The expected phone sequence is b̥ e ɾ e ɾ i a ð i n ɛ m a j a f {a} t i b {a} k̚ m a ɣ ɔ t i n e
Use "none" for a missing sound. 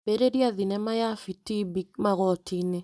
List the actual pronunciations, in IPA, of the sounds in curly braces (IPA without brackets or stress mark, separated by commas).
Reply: i, i